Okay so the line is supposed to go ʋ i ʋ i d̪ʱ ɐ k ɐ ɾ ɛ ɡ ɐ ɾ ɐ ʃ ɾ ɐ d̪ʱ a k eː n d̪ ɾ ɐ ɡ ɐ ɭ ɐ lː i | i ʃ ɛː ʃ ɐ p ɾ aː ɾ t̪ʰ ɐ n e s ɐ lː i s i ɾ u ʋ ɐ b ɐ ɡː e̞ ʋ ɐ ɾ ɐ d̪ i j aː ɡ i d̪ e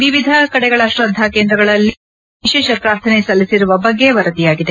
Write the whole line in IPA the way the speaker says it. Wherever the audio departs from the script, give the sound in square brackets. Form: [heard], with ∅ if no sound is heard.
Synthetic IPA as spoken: ʋ i ʋ i d̪ʱ ɐ k ɐ [ɽ] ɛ ɡ ɐ [ɭ] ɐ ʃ ɾ ɐ d̪ʱ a k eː n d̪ ɾ ɐ ɡ ɐ ɭ ɐ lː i | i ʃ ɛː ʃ ɐ p ɾ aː ɾ t̪ʰ ɐ n e s ɐ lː i s i ɾ u ʋ ɐ b ɐ ɡː e̞ ʋ ɐ ɾ ɐ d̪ i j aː ɡ i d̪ e